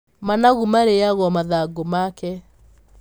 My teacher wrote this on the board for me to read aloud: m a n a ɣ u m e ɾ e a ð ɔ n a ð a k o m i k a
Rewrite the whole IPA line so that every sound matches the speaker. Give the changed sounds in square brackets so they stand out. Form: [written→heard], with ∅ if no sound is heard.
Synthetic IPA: m a n a ɣ u m [e→a] ɾ e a [ð→ɣ] ɔ [n→m] a ð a [k→ɡ] o m [i→a] k [a→ɛ]